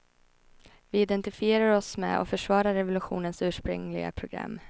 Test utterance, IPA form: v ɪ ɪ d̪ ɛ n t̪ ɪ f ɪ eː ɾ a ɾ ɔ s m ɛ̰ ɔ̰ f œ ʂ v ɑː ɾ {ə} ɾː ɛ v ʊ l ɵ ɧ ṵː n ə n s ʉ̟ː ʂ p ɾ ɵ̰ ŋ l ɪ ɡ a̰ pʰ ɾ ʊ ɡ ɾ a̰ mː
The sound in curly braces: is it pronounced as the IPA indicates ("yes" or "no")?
no